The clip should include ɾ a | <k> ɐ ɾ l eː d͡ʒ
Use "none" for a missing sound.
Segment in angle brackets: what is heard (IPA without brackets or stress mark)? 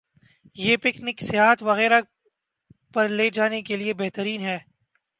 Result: p